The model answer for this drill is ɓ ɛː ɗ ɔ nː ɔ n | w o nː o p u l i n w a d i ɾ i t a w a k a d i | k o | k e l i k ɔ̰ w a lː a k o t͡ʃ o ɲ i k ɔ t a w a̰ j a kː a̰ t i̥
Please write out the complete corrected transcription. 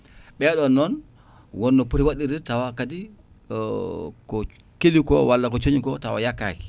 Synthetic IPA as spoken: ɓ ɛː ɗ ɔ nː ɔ n | w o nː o p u ɾ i w a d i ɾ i t a w a k a d i | k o | k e l i k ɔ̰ w a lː a k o t͡ʃ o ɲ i k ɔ t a w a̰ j a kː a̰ k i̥